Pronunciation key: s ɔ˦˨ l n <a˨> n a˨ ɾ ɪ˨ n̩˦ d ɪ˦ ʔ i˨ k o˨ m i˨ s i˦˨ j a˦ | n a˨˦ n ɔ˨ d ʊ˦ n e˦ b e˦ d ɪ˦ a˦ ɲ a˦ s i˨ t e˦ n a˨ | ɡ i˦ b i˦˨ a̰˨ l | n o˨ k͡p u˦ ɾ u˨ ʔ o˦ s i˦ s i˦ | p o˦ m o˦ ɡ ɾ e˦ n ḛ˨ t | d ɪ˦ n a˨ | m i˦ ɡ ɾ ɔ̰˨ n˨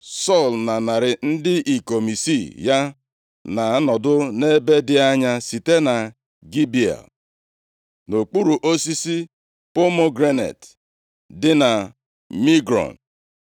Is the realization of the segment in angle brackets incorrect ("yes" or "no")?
no